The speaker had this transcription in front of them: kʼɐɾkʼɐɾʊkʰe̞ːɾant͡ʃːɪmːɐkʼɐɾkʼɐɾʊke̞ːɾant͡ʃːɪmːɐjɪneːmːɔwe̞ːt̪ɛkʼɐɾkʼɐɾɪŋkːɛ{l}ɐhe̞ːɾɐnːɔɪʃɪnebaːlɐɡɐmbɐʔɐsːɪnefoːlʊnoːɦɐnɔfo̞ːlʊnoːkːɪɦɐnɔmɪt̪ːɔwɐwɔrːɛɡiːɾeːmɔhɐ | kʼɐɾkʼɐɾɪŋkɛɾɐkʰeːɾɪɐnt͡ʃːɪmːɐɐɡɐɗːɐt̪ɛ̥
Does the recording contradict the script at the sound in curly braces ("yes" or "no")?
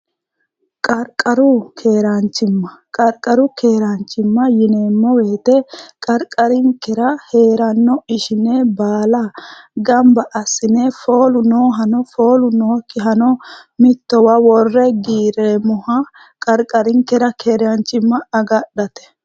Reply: yes